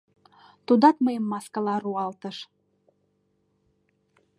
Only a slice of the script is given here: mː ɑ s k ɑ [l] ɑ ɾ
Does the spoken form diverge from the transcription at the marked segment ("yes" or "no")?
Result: no